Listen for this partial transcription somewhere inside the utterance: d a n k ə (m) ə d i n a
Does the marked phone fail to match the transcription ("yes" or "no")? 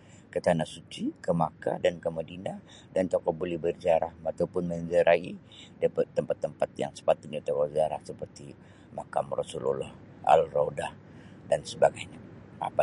no